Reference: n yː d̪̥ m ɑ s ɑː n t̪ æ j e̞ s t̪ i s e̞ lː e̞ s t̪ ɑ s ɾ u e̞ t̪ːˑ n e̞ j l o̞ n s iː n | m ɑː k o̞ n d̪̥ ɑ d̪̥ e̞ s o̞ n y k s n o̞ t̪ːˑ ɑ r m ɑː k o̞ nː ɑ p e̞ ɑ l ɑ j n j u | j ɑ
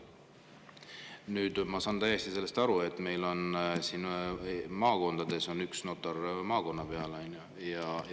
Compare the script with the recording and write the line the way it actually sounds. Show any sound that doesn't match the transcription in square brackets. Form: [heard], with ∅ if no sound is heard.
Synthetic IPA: n yː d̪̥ m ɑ s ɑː n t̪ æ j e̞ s t̪ i s e̞ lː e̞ s t̪ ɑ [∅] ɾ u e̞ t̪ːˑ [m] e̞ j l o̞ n s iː n | m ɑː k o̞ n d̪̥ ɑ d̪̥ e̞ s o̞ n y k s n o̞ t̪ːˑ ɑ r m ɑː k o̞ nː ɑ p e̞ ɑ l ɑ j n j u | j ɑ